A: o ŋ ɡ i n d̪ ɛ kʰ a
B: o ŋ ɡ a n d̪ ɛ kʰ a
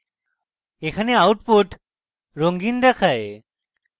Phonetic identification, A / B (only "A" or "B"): A